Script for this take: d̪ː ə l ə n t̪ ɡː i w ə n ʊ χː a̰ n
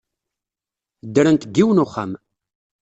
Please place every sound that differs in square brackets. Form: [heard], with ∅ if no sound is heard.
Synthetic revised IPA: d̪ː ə [ɾ] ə n t̪ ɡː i w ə n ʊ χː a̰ [m]